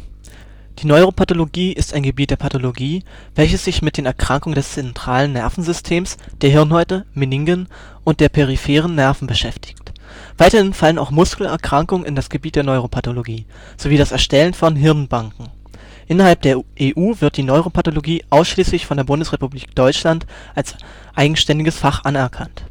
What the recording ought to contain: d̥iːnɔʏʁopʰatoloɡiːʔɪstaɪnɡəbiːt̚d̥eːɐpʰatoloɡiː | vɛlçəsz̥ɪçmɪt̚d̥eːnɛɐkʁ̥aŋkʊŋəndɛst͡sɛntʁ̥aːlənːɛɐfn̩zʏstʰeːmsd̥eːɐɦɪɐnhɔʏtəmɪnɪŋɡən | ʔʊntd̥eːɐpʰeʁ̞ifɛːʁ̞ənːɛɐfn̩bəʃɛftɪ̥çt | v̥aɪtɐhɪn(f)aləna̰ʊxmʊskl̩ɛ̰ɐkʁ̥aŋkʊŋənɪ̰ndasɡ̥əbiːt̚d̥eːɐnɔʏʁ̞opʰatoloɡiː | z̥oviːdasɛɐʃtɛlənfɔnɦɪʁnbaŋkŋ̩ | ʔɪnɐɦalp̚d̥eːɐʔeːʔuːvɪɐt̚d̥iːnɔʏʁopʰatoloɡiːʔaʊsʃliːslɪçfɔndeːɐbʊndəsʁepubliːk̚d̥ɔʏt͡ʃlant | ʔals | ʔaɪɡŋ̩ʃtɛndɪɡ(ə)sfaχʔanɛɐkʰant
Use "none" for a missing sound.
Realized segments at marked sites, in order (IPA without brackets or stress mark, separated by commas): f, ə